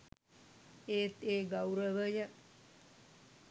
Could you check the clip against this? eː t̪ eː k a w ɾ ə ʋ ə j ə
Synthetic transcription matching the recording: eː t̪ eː ɡ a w ɾ ə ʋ ə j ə